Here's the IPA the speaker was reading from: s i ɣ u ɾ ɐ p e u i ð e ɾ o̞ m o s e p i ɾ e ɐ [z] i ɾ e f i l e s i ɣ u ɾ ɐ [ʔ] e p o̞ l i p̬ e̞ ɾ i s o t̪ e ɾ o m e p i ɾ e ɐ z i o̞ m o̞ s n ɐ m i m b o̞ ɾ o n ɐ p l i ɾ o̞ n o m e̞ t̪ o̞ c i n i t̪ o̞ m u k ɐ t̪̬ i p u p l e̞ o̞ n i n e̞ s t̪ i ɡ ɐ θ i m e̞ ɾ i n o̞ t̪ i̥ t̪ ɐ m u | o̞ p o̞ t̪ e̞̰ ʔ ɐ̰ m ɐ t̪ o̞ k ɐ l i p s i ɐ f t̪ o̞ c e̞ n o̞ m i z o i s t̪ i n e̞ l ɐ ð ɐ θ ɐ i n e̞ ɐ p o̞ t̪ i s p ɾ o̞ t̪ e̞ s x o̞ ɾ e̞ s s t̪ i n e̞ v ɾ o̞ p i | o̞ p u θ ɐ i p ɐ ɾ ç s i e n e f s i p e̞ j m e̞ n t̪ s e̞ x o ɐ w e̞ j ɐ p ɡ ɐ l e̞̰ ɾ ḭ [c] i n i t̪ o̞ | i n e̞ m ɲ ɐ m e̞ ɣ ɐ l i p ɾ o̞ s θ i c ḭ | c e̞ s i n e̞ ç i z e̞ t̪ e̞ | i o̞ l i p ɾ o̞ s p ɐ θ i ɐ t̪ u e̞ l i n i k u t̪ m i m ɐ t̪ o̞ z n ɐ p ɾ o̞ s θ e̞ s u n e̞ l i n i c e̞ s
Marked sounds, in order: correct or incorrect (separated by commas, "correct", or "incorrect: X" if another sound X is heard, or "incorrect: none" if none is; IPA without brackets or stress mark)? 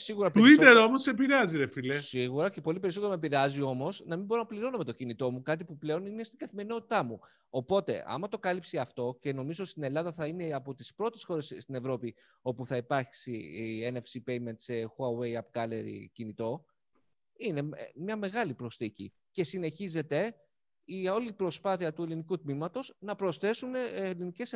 correct, incorrect: c, correct